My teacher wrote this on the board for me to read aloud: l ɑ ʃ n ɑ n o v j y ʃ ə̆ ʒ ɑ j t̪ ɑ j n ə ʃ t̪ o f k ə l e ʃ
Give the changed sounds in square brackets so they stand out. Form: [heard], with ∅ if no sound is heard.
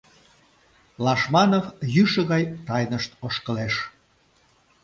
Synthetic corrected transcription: l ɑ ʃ [m] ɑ n o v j y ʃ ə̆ [ɣ] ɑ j t̪ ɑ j n ə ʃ t̪ o [ʃ] k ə l e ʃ